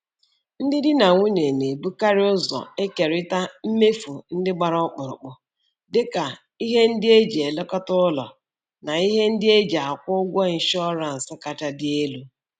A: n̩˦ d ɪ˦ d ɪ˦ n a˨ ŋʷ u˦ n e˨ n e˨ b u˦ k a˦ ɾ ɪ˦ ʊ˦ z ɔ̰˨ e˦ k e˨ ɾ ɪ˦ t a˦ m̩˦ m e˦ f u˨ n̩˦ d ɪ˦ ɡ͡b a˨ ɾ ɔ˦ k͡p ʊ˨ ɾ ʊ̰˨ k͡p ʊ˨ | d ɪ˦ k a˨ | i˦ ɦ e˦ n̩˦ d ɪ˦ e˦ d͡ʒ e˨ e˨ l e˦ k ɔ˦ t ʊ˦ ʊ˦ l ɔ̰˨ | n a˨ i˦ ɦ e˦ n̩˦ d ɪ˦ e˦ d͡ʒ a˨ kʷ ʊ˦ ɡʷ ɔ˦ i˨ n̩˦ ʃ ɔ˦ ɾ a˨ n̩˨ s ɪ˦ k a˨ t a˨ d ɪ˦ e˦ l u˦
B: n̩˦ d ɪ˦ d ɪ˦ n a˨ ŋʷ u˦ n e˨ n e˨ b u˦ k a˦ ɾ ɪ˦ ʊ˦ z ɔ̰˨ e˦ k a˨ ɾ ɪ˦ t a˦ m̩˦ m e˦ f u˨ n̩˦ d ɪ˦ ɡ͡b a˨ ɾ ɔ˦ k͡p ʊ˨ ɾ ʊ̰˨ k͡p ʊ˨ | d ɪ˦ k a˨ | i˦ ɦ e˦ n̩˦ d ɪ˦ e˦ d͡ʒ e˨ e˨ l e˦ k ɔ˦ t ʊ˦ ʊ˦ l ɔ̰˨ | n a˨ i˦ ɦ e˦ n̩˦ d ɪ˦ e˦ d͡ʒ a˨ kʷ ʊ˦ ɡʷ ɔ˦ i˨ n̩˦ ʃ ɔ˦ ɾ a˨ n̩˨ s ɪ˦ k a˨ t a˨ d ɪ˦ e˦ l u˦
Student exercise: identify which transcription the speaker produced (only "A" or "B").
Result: A